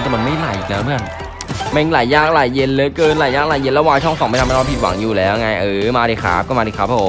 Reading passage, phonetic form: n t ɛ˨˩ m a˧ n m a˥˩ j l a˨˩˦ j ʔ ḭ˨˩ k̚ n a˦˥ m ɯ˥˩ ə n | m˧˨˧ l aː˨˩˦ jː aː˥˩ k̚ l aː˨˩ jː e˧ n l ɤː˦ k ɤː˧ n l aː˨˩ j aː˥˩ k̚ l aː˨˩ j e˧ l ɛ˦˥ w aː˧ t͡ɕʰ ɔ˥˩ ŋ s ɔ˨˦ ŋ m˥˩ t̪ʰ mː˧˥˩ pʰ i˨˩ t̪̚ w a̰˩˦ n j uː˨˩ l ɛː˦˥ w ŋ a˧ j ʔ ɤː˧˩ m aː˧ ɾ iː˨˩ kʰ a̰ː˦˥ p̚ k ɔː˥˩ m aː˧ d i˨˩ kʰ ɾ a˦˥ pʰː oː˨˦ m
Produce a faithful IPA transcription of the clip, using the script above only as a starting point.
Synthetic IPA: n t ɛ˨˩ m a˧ n m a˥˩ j l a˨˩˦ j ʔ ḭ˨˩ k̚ n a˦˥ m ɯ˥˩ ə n | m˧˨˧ l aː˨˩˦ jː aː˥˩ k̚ l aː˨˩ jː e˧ n l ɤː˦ k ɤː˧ n l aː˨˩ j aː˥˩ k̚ l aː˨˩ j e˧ l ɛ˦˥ w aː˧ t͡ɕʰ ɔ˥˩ ŋ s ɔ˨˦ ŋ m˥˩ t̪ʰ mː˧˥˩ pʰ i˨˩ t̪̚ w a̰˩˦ ŋ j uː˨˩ l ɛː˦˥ w ŋ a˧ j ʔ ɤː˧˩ m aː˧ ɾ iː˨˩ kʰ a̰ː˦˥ p̚ k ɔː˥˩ m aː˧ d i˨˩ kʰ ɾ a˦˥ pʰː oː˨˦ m

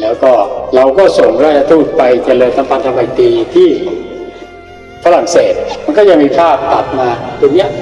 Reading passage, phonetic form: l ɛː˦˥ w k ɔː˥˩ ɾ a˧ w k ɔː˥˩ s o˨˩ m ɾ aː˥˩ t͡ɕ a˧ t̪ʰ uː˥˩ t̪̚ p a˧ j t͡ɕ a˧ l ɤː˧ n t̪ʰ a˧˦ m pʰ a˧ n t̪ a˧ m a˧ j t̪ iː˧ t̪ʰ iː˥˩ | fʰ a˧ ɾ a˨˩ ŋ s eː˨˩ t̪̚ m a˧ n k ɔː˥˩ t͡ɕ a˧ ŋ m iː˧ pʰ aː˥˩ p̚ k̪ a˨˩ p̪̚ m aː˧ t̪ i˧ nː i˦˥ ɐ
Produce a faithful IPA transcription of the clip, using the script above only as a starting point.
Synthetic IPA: l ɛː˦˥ w k ɔː˥˩ ɾ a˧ w k ɔː˥˩ s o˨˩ ŋ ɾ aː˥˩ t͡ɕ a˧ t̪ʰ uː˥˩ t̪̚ p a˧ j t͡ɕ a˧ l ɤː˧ n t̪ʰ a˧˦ m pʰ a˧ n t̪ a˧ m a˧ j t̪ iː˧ t̪ʰ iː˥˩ | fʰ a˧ ɾ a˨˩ ŋ s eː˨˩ t̪̚ m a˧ n k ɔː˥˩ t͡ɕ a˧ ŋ m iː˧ pʰ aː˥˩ p̚ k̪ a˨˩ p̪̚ m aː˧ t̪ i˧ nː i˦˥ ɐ

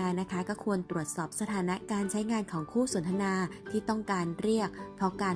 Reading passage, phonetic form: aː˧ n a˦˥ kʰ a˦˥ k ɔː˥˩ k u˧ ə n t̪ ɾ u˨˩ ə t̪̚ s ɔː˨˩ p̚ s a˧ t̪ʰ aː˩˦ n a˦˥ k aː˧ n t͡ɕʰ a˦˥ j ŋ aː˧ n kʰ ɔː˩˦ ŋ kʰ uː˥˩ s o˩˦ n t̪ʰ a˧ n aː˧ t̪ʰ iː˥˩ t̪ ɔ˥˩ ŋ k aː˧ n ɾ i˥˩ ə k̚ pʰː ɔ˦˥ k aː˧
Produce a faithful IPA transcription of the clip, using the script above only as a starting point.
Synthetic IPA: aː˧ n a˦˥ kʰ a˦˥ k ɔː˥˩ kʰ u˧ ə n t̪ ɾ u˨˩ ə t̪̚ s ɔː˨˩ p̚ s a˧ t̪ʰ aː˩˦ n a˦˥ k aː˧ n t͡ɕʰ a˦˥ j ŋ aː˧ n kʰ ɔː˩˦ ŋ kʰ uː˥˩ s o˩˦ n t̪ʰ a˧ n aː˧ t̪ʰ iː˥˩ t̪ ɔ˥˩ ŋ k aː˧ n ɾ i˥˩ ə k̚ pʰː ɔ˦˥ k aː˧

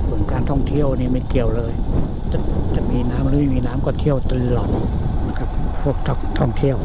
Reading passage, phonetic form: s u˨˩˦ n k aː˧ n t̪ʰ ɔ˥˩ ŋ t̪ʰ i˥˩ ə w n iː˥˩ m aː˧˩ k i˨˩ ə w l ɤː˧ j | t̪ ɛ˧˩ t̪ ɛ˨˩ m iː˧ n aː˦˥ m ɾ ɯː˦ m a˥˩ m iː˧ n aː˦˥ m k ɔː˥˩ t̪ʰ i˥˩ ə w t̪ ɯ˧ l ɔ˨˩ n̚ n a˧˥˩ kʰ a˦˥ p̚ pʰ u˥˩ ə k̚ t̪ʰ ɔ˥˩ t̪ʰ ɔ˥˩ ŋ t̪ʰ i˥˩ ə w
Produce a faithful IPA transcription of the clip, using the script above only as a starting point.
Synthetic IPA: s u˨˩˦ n k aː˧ n t̪ʰ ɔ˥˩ ŋ t̪ʰ i˥˩ ə w n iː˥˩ m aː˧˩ k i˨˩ ə w l ɤː˧ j | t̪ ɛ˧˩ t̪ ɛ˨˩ m iː˧ n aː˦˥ m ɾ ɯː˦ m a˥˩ m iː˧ n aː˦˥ m k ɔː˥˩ t̪ʰ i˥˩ ə w t̪ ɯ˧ l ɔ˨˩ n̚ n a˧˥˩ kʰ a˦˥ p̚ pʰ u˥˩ ə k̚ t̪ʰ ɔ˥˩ t̪ʰ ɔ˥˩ ŋ t̪ʰ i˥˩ ə w

